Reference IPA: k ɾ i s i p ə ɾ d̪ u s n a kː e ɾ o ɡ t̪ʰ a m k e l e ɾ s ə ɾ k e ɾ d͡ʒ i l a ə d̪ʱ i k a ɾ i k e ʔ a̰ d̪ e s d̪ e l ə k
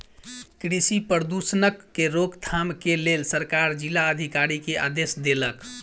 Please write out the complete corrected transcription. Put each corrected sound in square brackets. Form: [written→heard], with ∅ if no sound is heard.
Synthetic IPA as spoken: k ɾ i s i p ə ɾ d̪ u s n [a→ə] kː e ɾ o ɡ t̪ʰ a m k e l e [ɾ→l] s ə ɾ k [e→a] ɾ d͡ʒ i l a ə d̪ʱ i k a ɾ i k e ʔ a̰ d̪ e s d̪ e l ə k